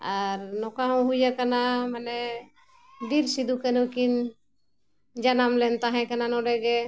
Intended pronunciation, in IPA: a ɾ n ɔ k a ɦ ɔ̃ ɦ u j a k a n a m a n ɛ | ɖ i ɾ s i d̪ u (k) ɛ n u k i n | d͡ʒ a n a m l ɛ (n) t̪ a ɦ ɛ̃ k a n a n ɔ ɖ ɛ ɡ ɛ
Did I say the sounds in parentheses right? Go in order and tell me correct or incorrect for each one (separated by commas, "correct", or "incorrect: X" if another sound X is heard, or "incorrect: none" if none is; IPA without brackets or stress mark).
correct, correct